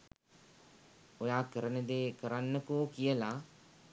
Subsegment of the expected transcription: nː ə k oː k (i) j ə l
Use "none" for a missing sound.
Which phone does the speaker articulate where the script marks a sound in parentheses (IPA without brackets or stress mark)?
i